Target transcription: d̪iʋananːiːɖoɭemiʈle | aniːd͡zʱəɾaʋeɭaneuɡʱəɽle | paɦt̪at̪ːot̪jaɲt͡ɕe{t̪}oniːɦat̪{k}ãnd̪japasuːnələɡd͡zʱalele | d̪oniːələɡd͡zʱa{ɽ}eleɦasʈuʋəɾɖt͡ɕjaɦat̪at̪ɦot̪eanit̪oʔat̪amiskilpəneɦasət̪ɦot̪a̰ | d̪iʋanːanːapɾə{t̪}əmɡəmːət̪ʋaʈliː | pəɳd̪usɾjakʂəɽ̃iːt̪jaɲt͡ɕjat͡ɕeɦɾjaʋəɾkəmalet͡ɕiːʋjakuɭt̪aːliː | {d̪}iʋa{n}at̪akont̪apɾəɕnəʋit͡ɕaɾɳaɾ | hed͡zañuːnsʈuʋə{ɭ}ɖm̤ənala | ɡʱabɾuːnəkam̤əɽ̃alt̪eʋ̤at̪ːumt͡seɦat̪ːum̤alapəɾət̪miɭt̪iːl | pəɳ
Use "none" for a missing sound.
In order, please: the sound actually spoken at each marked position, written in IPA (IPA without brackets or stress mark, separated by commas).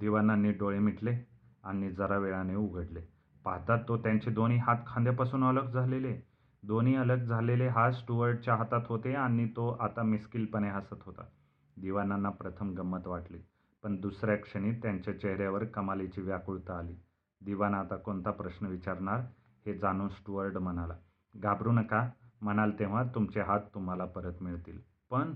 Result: d̪, kʰ, l, t̪ʰ, d̪, n, ɾ